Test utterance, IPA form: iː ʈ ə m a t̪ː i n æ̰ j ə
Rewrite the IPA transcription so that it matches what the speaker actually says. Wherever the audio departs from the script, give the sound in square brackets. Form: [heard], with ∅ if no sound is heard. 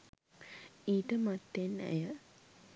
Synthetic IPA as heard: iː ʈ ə m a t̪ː [e] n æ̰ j ə